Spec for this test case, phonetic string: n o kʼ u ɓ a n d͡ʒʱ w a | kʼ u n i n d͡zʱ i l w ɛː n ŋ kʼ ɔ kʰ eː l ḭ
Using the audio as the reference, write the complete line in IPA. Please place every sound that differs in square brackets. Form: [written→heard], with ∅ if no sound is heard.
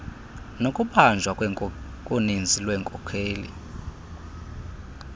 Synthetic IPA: n o kʼ u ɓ a n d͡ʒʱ w a | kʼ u n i n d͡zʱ i l w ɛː [n→∅] ŋ kʼ ɔ kʰ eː l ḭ